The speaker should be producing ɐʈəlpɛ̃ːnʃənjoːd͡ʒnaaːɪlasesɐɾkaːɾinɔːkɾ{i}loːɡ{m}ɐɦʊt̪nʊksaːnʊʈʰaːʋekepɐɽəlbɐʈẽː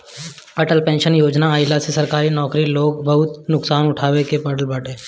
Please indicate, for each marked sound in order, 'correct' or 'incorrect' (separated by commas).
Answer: correct, incorrect